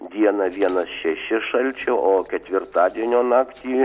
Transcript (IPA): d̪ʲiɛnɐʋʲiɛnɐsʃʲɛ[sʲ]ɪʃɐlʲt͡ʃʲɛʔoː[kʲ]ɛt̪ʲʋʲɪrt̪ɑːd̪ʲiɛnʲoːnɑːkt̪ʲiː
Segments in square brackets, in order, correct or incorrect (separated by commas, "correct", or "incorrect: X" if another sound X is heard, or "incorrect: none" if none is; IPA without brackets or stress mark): incorrect: ʃʲ, correct